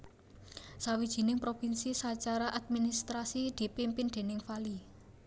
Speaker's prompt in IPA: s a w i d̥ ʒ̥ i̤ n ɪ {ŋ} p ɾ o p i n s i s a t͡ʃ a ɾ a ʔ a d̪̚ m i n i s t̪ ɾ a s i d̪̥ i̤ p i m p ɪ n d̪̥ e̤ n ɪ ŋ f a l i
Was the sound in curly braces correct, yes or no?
yes